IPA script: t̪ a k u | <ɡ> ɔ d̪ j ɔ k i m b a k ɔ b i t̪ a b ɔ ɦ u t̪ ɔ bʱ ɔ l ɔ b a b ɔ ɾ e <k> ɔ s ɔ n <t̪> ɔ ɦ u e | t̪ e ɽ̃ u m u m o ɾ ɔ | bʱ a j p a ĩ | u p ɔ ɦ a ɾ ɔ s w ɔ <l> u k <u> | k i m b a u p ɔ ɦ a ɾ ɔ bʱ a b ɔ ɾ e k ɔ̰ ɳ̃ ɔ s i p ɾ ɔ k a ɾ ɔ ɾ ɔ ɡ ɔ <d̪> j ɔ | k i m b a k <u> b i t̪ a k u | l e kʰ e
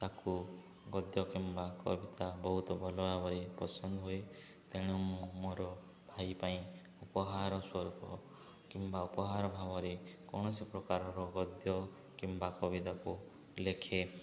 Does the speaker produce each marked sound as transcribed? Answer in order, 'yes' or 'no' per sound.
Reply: yes, no, no, no, no, yes, no

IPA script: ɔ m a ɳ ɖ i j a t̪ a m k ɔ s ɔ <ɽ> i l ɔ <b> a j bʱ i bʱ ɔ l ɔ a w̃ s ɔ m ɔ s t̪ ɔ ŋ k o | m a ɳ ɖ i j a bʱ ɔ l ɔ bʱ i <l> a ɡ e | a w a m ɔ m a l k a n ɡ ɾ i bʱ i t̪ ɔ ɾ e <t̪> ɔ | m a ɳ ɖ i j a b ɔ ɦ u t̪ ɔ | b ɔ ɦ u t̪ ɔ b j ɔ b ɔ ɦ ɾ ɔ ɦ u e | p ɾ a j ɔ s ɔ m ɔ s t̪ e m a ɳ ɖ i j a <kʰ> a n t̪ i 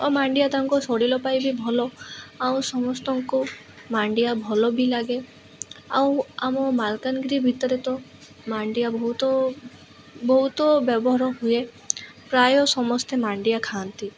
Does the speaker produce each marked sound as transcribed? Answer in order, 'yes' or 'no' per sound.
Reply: yes, no, yes, yes, yes

